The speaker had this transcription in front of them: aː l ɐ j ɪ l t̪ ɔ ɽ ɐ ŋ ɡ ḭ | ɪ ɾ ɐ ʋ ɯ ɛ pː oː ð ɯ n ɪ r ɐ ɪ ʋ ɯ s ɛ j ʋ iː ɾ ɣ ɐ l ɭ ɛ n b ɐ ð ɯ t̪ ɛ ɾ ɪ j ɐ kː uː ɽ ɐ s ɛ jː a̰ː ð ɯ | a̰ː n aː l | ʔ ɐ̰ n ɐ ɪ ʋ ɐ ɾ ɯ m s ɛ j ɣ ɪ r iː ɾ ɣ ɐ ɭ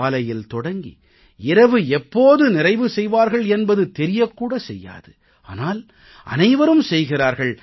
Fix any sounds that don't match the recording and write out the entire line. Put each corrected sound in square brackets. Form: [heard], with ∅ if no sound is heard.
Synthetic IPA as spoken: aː l ɐ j ɪ l t̪ ɔ ɽ ɐ ŋ ɡ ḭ | ɪ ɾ ɐ ʋ ɯ ɛ pː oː ð ɯ n ɪ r ɐ ɪ ʋ ɯ s ɛ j ʋ [aː] ɾ ɣ ɐ [∅] ɭ ɛ n b ɐ ð ɯ t̪ ɛ ɾ ɪ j ɐ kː uː ɽ ɐ s ɛ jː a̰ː ð ɯ | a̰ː n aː l | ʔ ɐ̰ n ɐ ɪ ʋ ɐ ɾ ɯ m s ɛ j ɣ ɪ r [aː] ɾ ɣ ɐ ɭ